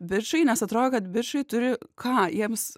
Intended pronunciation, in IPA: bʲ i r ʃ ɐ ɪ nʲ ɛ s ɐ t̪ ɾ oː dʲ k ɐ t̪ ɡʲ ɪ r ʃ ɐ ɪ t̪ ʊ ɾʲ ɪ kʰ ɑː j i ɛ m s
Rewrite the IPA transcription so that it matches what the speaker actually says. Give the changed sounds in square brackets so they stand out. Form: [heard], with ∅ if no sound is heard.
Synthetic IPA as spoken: bʲ [ɪ] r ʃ ɐ ɪ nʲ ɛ s ɐ t̪ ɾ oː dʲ k ɐ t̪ [bʲ] ɪ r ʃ ɐ ɪ t̪ ʊ ɾʲ ɪ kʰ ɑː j i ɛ m s